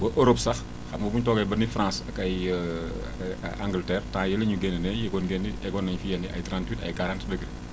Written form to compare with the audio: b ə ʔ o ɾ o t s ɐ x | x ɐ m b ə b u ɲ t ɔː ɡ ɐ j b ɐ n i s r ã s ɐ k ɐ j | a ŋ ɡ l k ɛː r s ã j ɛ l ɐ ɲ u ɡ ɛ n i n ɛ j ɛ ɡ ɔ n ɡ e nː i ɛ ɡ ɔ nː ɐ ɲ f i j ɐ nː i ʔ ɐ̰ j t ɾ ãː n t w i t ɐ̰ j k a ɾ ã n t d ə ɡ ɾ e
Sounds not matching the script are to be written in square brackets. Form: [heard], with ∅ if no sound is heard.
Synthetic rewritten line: b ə ʔ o ɾ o [p] s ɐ x | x ɐ m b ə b u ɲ t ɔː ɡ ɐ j b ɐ n i [f] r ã s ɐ k ɐ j | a ŋ ɡ l [t] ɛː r [t] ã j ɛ l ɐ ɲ u ɡ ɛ n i n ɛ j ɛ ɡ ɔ n ɡ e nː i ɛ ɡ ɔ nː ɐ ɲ f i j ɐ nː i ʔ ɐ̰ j t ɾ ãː n t w i t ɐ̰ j k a ɾ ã n t d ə ɡ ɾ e